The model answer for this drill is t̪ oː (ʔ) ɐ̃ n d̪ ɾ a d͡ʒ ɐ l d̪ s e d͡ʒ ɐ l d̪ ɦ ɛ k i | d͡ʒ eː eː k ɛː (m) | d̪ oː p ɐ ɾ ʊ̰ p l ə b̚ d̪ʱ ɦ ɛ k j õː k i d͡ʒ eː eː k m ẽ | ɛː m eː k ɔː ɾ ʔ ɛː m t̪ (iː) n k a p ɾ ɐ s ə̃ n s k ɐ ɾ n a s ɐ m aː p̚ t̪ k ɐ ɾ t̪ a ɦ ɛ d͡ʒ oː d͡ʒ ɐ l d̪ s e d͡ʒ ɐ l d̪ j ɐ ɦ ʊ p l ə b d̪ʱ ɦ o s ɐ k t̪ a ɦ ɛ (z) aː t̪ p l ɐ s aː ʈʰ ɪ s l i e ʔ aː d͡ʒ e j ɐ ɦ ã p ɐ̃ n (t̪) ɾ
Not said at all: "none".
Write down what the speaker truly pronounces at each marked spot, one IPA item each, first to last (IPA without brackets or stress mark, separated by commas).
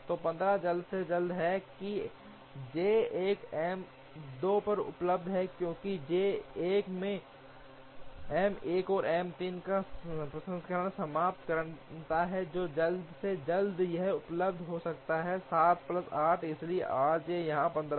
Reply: p, m, iː, s, d̪